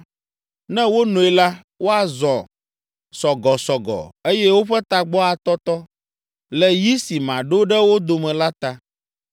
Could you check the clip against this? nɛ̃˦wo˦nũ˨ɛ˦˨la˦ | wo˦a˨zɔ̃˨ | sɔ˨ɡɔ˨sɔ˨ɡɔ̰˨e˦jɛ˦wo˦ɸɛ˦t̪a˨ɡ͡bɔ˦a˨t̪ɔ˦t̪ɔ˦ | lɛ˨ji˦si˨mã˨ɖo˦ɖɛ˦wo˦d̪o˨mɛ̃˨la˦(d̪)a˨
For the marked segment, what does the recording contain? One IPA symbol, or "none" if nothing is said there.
t̪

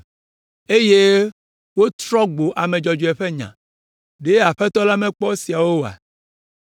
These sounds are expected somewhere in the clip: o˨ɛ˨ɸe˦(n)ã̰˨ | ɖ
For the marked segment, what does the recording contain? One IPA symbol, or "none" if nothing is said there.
ɲ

